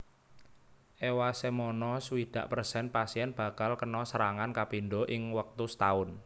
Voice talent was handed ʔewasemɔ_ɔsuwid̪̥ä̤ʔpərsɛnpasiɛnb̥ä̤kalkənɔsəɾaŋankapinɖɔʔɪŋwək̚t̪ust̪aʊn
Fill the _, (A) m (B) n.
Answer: B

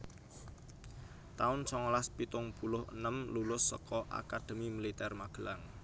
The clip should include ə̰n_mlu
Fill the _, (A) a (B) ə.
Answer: B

